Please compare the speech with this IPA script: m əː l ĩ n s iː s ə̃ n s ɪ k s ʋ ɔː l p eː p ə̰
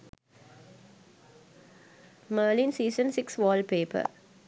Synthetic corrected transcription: m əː l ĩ n s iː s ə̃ n s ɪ k s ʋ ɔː l p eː p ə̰